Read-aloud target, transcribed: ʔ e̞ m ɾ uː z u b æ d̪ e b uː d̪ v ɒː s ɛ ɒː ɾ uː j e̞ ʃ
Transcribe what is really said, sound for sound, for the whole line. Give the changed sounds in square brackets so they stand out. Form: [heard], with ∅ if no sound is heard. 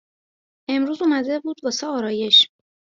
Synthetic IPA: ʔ e̞ m ɾ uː z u [m] æ d̪ e b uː d̪ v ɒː s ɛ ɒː ɾ [ɒː] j e̞ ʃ